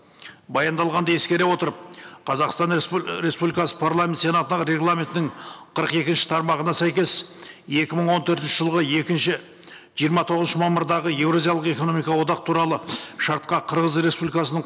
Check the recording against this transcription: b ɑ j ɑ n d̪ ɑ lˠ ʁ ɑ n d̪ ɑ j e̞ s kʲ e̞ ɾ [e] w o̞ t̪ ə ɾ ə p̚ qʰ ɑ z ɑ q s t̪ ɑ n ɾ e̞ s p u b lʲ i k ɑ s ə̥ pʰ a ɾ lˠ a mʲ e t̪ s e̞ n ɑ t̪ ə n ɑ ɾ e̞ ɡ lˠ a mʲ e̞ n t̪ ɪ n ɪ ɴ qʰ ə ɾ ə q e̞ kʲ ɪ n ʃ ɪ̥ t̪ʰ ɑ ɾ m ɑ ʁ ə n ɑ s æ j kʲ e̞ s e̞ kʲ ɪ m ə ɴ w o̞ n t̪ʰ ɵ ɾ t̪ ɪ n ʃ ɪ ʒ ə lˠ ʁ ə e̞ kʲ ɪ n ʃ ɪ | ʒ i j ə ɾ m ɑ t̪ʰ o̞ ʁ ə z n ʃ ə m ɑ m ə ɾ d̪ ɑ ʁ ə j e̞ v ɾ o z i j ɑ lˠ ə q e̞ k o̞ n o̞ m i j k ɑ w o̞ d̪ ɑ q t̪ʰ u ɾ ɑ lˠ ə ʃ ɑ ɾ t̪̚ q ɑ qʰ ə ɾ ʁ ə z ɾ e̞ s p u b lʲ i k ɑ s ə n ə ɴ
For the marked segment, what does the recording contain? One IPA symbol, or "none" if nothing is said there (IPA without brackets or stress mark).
e